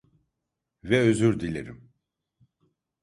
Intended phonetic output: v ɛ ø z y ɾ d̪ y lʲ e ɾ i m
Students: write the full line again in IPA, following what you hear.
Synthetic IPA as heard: v ɛ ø z y ɾ d̪ i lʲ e ɾ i m